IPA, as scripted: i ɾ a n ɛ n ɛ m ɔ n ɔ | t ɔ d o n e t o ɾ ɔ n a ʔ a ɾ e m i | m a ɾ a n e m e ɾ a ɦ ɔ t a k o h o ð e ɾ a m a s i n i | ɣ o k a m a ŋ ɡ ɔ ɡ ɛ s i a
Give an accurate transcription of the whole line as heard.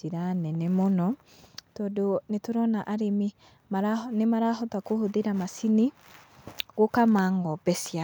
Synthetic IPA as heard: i ɾ a n ɛ n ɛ m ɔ n ɔ | t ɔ d o n e t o ɾ ɔ n a ʔ a ɾ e m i | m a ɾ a n e m a ɾ a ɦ ɔ t a k o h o ð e ɾ a m a s i n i | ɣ o k a m a ŋ ɡ ɔ b ɛ s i a